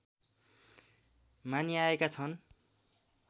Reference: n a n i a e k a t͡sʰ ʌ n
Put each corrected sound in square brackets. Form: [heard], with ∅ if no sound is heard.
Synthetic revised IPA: [m] a n i a e k a t͡sʰ ʌ n